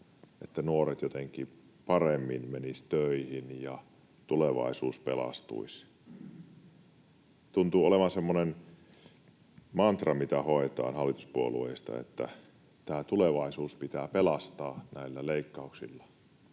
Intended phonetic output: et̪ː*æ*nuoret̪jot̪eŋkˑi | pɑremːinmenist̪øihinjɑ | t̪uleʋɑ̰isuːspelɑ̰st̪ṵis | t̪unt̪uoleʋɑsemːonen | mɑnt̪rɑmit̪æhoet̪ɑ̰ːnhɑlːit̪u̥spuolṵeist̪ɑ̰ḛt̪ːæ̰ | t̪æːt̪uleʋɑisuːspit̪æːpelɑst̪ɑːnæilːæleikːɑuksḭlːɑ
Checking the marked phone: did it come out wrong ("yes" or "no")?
no